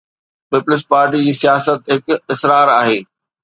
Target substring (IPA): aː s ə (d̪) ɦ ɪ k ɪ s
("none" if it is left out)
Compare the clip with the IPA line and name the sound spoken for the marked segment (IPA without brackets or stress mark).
t̪